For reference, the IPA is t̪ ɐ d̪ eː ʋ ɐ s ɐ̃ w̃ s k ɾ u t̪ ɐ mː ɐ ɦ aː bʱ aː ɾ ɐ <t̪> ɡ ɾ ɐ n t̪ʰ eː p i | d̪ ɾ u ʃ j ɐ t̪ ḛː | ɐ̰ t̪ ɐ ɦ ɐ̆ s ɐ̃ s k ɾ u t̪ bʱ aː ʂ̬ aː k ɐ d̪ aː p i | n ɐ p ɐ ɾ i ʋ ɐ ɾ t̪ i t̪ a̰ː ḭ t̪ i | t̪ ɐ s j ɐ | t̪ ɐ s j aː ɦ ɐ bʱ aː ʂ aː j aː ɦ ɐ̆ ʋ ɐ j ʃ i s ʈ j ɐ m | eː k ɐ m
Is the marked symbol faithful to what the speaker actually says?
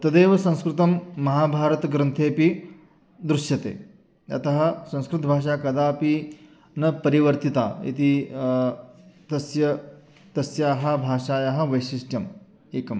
yes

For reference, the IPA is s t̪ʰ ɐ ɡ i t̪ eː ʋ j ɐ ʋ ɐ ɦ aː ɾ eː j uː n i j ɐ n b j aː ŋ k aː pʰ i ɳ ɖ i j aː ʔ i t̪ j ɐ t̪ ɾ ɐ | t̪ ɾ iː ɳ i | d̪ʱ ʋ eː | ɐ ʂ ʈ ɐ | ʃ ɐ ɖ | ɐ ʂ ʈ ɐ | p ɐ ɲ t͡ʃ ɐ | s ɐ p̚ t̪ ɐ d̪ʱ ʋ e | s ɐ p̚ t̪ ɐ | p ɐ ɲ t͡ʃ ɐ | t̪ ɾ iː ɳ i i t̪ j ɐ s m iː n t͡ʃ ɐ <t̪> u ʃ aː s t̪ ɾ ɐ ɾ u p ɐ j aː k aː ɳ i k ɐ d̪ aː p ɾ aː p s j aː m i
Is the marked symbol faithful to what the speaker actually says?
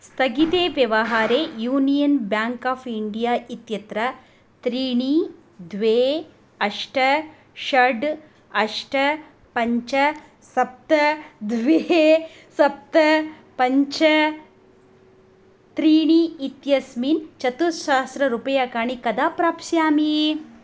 yes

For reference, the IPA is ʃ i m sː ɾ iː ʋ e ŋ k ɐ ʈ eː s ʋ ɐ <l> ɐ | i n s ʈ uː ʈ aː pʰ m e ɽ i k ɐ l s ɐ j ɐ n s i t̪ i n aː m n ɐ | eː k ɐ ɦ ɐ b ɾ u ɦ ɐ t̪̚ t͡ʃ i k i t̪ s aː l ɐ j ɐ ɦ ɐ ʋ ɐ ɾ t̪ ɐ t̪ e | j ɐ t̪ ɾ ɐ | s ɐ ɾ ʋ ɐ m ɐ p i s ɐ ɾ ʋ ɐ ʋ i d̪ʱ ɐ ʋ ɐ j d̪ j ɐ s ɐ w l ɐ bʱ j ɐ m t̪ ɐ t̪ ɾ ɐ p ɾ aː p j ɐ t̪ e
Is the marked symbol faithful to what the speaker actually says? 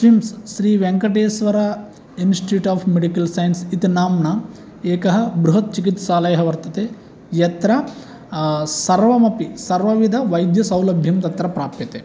no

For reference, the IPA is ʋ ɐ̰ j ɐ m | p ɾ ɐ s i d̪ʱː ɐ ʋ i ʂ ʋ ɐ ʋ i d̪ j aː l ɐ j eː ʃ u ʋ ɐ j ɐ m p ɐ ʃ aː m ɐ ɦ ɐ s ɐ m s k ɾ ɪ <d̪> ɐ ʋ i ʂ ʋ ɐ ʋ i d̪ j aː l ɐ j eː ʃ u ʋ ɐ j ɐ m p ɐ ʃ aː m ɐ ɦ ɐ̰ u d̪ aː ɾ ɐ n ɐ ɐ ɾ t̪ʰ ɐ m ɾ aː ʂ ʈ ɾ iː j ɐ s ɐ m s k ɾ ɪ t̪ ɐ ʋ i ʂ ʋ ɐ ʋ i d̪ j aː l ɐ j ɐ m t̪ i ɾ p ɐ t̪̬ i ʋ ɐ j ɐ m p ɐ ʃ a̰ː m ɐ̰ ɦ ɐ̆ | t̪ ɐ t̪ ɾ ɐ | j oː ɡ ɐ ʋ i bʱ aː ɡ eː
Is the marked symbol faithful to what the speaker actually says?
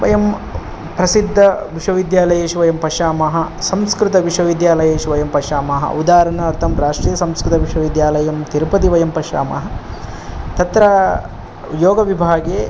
no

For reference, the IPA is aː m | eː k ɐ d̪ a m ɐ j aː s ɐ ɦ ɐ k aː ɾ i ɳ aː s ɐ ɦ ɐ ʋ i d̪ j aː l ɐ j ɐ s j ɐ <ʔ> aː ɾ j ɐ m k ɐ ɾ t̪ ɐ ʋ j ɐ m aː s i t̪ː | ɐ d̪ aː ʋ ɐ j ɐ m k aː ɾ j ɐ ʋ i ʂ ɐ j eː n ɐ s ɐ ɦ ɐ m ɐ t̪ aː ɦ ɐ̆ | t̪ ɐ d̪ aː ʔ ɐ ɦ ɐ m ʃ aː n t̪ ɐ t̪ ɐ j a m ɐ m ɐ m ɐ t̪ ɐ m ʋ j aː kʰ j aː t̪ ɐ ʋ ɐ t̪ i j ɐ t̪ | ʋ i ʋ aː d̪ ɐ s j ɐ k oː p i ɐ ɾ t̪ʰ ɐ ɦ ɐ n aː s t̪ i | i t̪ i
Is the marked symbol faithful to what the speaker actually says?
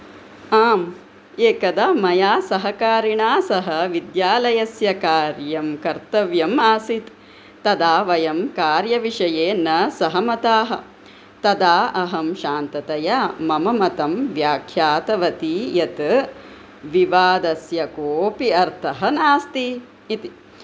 no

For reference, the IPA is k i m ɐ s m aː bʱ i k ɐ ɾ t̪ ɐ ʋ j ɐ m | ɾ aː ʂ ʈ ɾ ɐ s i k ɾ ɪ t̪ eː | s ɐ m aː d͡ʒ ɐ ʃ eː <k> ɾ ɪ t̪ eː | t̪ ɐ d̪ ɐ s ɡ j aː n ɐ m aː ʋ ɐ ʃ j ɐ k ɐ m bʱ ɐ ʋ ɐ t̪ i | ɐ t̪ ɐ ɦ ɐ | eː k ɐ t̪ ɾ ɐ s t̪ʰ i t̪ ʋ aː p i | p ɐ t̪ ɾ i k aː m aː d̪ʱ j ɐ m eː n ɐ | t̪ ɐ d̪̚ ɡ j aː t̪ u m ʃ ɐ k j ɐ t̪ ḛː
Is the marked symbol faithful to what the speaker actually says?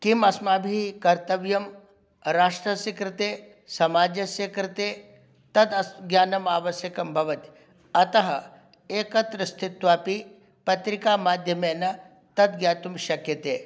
yes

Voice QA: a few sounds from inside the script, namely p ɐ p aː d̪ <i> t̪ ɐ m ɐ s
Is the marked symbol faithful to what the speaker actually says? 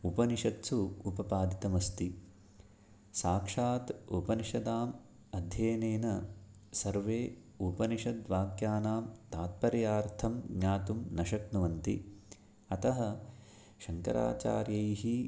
yes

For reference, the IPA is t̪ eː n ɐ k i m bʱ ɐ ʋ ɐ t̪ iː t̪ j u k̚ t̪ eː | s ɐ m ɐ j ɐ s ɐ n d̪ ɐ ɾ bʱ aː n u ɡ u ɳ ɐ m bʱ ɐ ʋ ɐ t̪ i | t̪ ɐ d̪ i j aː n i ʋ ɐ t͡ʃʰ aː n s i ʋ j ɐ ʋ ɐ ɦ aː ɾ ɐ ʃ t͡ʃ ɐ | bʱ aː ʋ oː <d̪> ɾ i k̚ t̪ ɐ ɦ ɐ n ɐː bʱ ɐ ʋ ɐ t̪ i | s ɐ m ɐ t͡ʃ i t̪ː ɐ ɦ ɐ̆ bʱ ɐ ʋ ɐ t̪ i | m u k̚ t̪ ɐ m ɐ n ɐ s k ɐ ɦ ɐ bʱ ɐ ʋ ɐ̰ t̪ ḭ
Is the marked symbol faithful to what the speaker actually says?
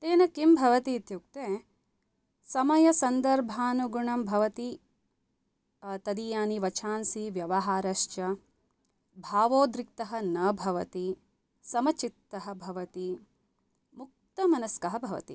yes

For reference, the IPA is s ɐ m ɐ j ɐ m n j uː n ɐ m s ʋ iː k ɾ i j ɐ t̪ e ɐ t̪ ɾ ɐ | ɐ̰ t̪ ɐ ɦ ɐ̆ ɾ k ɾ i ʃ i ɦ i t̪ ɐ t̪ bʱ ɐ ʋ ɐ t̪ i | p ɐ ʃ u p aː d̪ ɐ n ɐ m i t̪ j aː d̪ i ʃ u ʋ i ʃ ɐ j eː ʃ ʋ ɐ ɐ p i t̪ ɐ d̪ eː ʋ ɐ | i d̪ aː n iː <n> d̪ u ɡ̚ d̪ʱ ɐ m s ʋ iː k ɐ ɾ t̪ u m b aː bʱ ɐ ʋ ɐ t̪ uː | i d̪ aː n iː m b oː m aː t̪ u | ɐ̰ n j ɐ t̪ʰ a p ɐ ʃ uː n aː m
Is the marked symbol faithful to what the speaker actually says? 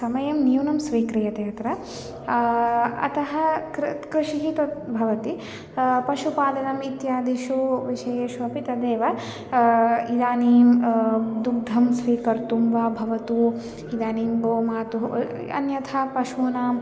no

